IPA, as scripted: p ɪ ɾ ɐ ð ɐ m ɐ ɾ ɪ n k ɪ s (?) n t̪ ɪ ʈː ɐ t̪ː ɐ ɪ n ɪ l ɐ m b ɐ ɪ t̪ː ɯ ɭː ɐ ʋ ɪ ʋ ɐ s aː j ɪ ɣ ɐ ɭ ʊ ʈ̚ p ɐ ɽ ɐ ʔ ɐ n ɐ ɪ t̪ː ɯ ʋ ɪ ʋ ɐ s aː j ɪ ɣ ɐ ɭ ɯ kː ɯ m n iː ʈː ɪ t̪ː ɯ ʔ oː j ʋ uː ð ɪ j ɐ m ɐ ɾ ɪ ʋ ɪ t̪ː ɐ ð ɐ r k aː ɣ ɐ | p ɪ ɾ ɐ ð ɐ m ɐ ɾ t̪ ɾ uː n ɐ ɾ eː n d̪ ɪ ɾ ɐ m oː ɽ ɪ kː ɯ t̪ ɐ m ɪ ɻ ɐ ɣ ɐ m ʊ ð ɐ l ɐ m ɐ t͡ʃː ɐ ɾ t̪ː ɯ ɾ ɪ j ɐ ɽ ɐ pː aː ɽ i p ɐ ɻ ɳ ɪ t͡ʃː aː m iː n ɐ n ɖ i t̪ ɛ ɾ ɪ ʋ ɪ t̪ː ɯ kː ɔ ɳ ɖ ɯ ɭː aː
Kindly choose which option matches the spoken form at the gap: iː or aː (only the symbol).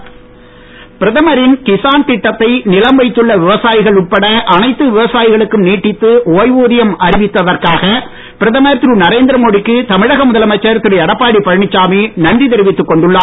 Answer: aː